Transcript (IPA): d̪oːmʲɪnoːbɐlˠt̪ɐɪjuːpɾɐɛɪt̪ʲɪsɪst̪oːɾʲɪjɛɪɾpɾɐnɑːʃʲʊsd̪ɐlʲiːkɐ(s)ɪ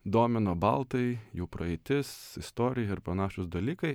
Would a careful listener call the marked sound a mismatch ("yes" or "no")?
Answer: yes